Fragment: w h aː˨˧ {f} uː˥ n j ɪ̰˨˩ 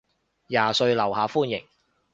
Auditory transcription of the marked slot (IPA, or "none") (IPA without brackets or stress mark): f